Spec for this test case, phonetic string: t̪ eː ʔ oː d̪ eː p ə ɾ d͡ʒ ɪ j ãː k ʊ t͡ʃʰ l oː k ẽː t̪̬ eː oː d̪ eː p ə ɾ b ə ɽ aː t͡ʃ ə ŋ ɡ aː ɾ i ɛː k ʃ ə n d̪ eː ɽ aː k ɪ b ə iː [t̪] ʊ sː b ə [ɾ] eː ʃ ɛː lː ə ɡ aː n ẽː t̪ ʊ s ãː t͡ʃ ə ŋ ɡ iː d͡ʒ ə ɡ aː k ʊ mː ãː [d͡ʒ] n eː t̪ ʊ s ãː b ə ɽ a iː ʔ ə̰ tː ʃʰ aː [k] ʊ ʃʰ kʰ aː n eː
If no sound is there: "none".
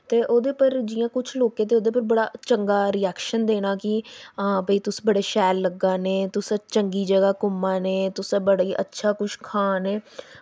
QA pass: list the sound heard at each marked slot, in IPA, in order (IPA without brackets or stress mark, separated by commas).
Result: t̪, ɽ, none, k